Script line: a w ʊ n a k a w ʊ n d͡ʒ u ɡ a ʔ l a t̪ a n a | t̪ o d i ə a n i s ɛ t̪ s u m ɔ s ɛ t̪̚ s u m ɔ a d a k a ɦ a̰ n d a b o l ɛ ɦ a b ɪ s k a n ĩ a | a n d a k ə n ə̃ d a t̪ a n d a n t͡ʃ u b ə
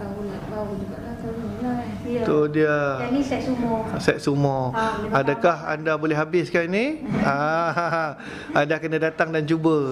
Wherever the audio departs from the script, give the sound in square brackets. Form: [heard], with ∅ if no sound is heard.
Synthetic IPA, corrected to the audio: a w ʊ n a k a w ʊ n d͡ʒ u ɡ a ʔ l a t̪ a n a | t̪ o d i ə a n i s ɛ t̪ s u m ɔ s ɛ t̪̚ s u m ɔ a d a k a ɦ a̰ n d a b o l ɛ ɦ a b ɪ s k a n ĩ a | a n d a k ə n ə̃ d a t̪ a [ŋ] d a n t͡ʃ u b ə